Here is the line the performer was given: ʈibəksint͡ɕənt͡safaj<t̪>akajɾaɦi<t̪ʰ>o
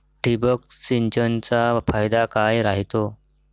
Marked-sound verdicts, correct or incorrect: incorrect: d̪, incorrect: t̪

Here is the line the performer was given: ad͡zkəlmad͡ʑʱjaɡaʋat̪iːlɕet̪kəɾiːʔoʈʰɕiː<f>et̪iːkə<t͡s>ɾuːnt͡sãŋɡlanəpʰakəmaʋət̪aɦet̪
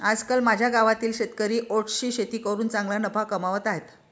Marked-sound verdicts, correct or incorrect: incorrect: ɕ, incorrect: none

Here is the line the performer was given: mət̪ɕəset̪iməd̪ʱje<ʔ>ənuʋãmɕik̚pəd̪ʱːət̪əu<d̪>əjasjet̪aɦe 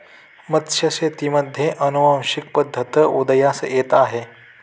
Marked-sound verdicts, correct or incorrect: correct, correct

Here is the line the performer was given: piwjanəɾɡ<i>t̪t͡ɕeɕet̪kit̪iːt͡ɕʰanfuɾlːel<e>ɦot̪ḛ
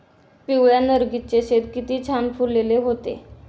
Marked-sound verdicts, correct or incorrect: correct, correct

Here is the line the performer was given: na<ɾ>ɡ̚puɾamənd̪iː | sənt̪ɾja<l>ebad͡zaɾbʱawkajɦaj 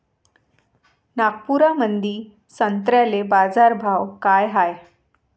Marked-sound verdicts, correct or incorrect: incorrect: none, correct

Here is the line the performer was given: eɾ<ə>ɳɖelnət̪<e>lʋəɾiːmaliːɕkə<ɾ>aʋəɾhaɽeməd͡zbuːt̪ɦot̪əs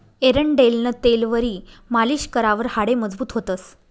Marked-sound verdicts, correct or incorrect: correct, correct, correct

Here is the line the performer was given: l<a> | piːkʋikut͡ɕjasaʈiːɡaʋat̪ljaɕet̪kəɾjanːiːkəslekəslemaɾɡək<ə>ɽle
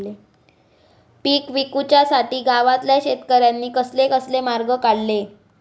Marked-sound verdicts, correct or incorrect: incorrect: e, incorrect: a

